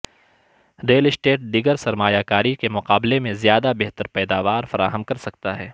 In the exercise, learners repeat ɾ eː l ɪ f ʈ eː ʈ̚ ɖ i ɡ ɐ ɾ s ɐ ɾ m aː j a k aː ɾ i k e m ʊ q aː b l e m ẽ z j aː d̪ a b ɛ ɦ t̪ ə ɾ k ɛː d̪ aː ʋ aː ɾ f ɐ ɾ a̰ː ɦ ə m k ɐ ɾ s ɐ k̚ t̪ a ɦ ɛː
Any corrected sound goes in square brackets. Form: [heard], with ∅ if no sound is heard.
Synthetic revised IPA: ɾ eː l ɪ [s] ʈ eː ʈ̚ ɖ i ɡ [ə] ɾ s ɐ ɾ m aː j a k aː ɾ i k e m ʊ q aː b l e m ẽ z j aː d̪ a b ɛ ɦ t̪ ə ɾ [p] ɛː d̪ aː ʋ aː ɾ f ɐ ɾ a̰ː ɦ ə m k ɐ ɾ s ɐ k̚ t̪ a ɦ ɛː